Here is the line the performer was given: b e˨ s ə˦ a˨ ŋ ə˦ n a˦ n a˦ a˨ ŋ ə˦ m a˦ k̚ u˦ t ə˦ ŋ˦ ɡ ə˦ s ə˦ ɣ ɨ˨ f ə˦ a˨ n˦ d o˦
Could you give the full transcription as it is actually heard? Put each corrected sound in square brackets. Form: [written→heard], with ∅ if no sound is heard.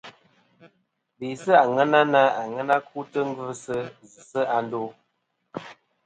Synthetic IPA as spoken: b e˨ s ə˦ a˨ ŋ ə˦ n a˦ n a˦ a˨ ŋ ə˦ [m→n] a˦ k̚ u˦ t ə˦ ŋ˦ ɡ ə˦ s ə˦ [ɣ→z] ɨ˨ [f→s] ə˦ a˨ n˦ d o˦